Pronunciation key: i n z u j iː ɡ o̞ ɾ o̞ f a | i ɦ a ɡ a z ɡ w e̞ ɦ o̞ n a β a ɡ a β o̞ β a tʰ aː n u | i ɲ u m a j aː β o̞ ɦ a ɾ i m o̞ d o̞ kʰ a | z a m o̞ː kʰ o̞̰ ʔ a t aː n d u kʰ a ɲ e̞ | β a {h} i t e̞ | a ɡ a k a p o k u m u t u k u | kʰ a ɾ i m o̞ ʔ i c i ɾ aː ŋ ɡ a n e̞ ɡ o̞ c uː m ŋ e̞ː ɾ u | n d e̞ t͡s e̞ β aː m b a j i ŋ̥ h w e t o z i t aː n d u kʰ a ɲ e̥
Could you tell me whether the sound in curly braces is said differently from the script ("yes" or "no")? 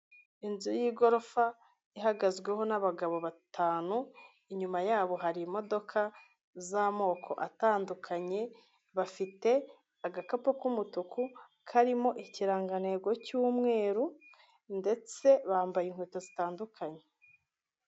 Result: yes